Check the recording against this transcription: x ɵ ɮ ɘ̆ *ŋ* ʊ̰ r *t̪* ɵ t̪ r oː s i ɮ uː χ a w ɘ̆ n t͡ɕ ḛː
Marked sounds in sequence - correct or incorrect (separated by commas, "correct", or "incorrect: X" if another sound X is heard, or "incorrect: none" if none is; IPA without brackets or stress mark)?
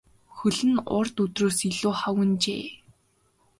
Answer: incorrect: n, correct